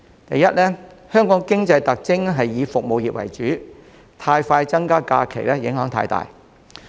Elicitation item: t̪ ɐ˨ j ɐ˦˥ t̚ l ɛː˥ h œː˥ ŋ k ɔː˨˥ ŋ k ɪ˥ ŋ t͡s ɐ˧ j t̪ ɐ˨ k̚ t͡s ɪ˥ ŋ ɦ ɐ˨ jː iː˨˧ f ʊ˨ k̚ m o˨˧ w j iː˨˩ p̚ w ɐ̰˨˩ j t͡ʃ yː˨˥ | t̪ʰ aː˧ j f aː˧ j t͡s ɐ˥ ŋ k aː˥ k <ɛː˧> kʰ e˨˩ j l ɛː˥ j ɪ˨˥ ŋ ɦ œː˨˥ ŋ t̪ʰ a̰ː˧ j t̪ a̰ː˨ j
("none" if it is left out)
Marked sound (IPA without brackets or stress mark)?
aː˧